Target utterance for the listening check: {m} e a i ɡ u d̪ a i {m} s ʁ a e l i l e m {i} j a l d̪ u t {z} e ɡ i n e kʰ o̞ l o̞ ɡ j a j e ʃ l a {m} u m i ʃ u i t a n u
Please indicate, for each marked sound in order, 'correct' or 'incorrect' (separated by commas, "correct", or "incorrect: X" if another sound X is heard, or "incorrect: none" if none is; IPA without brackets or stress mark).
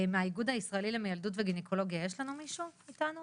correct, incorrect: none, incorrect: e, incorrect: v, incorrect: n